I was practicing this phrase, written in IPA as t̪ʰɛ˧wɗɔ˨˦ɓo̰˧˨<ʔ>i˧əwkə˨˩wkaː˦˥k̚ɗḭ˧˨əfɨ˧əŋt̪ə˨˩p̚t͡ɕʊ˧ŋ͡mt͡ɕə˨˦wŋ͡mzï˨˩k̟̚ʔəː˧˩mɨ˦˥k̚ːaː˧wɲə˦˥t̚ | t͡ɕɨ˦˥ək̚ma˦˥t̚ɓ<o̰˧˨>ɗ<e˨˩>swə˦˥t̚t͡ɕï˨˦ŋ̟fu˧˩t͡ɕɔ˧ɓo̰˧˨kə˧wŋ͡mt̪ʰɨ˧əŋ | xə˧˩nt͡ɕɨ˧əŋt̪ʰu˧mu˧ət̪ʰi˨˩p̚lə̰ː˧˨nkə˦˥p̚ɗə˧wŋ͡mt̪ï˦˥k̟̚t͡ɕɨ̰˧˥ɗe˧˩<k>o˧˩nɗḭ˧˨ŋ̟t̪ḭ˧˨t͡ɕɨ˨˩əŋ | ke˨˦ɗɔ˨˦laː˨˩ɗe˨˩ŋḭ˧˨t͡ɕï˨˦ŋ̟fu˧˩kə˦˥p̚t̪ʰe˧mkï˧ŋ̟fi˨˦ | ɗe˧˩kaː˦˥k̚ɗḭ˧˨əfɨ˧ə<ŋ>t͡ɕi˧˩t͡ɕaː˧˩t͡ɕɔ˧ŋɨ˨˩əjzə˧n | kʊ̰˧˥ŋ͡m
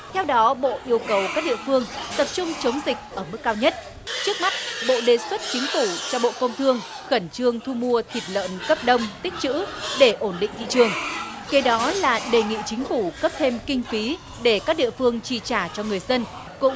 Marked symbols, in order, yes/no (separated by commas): yes, yes, yes, no, yes